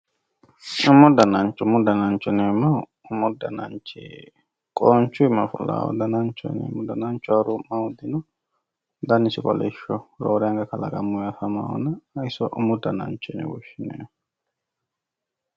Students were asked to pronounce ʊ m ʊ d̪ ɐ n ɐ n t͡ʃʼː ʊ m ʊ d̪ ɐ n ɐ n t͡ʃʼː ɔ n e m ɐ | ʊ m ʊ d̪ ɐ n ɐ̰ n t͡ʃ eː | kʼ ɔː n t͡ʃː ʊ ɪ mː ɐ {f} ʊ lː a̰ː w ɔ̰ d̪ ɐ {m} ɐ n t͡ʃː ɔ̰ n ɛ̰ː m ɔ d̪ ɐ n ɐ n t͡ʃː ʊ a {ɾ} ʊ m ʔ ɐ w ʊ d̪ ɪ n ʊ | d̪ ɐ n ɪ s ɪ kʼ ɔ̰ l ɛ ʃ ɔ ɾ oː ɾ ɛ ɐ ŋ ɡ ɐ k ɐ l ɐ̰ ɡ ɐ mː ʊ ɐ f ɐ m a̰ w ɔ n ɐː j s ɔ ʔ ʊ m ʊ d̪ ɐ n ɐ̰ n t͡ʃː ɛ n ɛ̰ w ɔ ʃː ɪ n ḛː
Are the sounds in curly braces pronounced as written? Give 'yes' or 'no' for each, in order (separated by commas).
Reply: yes, no, yes